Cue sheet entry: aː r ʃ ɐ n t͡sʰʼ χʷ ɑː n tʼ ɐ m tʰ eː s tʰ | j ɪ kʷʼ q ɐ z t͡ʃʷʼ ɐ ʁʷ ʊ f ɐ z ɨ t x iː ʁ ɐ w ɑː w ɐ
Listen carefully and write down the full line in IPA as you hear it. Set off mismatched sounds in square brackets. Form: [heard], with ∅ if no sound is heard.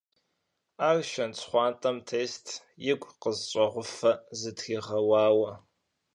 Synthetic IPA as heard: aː r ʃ ɐ n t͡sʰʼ χʷ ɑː n tʼ ɐ m tʰ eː s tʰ | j ɪ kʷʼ q [ə] z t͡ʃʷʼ ɐ ʁʷ ʊ f ɐ z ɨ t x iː ʁ ɐ w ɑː w ɐ